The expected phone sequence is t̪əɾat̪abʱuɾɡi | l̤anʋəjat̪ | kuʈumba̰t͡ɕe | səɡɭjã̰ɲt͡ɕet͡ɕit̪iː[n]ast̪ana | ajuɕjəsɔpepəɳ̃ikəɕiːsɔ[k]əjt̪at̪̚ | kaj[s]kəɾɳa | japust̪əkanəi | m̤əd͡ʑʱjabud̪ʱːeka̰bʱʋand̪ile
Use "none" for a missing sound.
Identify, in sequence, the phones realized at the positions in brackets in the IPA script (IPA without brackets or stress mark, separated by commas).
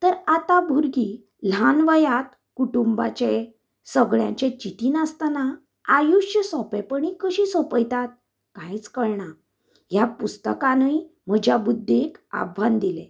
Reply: n, p, t͡s